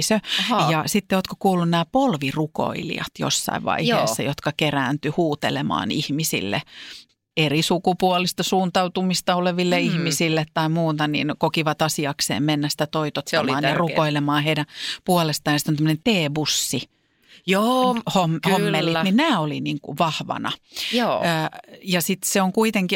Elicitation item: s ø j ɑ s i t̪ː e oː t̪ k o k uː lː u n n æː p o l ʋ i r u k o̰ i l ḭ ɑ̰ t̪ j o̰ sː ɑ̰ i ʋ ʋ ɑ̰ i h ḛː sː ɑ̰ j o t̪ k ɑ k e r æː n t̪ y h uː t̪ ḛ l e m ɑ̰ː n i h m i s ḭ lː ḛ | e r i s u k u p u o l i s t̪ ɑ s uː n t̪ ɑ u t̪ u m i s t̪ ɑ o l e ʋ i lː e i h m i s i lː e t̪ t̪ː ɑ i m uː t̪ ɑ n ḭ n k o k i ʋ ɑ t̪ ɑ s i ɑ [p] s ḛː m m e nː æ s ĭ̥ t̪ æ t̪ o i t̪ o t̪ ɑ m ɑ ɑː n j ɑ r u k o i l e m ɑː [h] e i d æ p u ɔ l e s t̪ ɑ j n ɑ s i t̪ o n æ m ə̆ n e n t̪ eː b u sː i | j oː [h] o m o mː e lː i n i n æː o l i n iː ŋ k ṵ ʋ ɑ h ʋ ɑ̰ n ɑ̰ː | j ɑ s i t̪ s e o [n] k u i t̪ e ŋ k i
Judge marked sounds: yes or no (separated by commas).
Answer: no, yes, yes, no